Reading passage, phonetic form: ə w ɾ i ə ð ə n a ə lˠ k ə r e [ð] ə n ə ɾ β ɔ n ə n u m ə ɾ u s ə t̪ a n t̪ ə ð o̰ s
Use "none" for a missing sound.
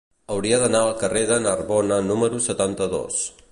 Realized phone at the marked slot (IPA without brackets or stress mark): ð